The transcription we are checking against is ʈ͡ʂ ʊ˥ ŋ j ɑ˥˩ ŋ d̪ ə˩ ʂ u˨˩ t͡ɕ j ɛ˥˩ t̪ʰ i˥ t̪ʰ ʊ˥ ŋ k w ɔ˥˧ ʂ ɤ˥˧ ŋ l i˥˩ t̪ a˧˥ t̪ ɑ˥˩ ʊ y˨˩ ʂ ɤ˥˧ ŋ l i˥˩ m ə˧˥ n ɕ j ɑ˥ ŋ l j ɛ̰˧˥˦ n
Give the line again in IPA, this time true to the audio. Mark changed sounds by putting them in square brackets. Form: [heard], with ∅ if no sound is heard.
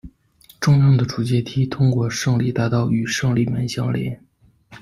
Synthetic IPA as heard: ʈ͡ʂ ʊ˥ ŋ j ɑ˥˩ ŋ d̪ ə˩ [ʈ͡ʂ] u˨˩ t͡ɕ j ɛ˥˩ t̪ʰ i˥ t̪ʰ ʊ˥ ŋ k w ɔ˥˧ ʂ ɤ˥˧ ŋ l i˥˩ t̪ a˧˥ t̪ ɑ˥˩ ʊ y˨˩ ʂ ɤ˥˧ ŋ l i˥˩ m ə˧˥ n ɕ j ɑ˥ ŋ l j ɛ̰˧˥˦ n